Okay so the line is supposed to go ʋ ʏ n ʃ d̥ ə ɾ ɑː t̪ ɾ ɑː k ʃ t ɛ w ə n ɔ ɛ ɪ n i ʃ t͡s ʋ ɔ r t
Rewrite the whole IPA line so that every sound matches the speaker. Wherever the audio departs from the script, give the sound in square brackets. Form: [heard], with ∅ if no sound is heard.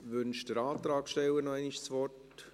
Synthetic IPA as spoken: ʋ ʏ n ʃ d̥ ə ɾ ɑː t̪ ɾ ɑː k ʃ t ɛ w ə n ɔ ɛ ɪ n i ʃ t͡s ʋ ɔ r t